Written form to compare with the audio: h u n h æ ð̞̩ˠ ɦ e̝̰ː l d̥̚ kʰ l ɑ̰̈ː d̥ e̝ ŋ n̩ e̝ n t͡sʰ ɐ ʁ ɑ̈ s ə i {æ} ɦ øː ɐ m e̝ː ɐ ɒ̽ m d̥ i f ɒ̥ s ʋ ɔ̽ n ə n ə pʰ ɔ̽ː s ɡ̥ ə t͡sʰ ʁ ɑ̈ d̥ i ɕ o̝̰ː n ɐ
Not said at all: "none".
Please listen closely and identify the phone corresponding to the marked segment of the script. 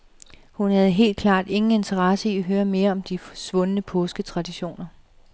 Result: æ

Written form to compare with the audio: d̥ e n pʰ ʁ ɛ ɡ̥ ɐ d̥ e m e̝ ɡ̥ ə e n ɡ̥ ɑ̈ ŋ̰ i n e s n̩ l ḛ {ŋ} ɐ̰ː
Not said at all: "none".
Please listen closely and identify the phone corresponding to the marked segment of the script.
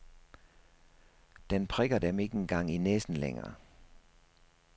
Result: ŋ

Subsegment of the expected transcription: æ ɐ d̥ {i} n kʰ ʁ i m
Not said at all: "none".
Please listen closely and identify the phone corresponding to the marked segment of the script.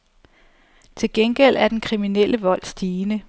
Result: e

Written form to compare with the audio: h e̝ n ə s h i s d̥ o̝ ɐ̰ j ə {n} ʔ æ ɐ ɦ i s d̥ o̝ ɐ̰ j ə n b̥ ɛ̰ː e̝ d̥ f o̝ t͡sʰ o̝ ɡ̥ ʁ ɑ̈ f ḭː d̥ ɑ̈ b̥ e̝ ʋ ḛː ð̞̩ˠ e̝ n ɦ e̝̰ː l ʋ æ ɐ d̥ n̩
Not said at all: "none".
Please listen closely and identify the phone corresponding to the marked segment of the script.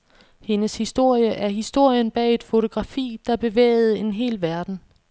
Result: none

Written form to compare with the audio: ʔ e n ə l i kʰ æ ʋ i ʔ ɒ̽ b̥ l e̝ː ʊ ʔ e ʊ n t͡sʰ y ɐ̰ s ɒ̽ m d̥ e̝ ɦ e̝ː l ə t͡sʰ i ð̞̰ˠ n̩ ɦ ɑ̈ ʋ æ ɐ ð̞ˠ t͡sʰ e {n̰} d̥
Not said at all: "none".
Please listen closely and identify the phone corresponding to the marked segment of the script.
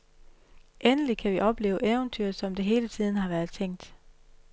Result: ŋ̰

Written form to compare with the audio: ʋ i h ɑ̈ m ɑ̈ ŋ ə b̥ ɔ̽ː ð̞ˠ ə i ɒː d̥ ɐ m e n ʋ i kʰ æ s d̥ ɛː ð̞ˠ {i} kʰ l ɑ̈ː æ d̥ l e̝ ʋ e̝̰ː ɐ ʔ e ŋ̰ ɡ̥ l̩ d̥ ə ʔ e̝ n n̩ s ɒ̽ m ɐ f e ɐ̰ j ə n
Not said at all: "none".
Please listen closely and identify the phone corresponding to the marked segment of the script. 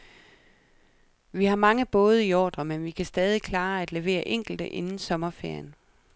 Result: i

